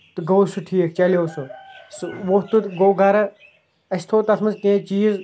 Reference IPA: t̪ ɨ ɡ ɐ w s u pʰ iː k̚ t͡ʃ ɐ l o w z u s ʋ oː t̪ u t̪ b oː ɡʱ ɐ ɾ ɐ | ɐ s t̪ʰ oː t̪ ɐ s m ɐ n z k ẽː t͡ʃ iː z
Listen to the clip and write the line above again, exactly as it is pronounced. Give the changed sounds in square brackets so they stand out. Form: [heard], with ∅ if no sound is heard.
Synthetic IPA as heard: t̪ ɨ ɡ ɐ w s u [ʈʰ] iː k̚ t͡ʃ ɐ l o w [s] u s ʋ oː t̪ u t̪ [ɡ] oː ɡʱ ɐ ɾ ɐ | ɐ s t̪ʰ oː t̪ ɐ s m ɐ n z k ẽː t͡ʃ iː z